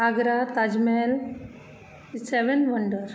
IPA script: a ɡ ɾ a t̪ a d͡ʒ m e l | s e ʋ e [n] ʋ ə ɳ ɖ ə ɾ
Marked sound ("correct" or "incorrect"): correct